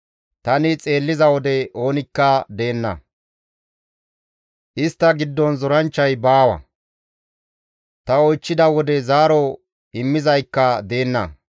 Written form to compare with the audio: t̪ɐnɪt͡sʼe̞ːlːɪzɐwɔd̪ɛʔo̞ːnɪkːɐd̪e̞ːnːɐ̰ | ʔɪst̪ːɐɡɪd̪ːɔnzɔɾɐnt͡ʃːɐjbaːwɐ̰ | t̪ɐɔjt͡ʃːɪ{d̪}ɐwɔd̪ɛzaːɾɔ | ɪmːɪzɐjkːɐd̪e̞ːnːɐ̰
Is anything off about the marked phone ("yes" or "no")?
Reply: no